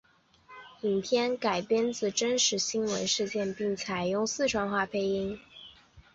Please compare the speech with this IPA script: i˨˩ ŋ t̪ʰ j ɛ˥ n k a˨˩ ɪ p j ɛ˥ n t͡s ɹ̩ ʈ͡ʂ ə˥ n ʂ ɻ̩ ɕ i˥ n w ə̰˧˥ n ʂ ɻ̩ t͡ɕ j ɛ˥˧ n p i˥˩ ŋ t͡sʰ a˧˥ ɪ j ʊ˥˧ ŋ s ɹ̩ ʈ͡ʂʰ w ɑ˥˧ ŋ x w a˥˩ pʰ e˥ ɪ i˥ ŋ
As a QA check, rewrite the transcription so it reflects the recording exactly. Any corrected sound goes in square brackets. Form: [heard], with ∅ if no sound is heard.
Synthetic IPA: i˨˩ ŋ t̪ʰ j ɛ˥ n k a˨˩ ɪ p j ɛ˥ n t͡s ɹ̩ ʈ͡ʂ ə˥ n ʂ ɻ̩ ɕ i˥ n w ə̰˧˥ n ʂ ɻ̩ t͡ɕ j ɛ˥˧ n p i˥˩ ŋ t͡sʰ [a˨˩] ɪ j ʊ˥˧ ŋ s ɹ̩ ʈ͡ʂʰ w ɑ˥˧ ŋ x w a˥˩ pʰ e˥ ɪ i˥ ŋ